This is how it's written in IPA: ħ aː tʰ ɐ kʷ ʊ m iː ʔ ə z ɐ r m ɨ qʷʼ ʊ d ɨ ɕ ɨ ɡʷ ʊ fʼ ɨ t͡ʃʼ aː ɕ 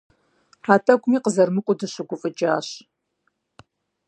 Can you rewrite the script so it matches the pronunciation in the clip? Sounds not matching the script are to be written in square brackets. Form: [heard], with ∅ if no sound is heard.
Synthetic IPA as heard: ħ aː tʰ ɐ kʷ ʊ m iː [q] ə z ɐ r m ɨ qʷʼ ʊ d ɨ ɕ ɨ ɡʷ ʊ fʼ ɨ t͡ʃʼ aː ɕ